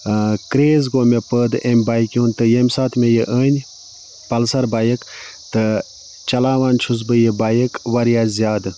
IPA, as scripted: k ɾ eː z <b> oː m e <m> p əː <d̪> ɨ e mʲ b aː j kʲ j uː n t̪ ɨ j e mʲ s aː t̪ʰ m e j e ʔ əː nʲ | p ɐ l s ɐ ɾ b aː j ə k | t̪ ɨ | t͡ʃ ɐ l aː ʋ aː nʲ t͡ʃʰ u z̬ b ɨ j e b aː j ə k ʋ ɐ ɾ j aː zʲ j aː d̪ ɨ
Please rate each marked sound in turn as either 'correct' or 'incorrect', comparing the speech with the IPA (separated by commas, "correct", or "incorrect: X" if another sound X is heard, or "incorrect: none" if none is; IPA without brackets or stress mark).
incorrect: ɡ, incorrect: none, correct